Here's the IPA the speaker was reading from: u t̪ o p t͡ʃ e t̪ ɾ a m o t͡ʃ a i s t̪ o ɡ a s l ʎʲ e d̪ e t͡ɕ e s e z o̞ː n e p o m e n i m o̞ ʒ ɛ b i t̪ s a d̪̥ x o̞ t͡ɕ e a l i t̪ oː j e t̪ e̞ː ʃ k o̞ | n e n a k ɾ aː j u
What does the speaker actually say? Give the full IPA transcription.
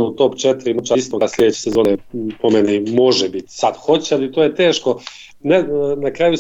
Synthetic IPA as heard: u t̪ o p t͡ʃ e t̪ ɾ i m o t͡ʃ a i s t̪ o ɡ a s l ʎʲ e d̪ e t͡ɕ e s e z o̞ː n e p o m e n i m o̞ ʒ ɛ b i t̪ s a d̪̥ x o̞ t͡ɕ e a l i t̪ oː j e t̪ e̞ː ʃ k o̞ | n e n a k ɾ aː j u